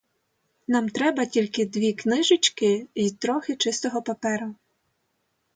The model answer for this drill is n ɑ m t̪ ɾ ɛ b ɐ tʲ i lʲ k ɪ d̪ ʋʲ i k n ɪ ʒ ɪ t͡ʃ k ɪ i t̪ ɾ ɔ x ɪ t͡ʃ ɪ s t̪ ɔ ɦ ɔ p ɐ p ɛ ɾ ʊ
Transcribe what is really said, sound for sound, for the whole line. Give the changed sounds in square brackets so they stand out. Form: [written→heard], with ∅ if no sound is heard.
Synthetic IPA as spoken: n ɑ m t̪ ɾ ɛ b ɐ tʲ i lʲ k ɪ d̪ ʋʲ i k n ɪ ʒ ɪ t͡ʃ k ɪ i t̪ ɾ ɔ x ɪ t͡ʃ ɪ s t̪ ɔ ɦ ɔ p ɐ p ɛ ɾ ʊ